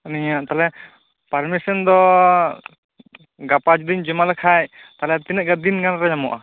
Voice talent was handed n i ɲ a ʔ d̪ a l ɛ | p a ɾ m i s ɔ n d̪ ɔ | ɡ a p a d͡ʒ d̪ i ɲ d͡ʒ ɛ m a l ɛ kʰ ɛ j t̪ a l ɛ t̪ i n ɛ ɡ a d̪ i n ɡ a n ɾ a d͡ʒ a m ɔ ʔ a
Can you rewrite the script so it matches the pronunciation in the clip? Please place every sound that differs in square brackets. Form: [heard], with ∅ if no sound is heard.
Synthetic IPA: n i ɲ a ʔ [t̪] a l ɛ | p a ɾ m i s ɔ n d̪ ɔ | ɡ a p a d͡ʒ d̪ i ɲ d͡ʒ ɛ m a l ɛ kʰ [a] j t̪ a l ɛ t̪ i n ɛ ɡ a d̪ i n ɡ a n ɾ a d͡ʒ a m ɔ ʔ a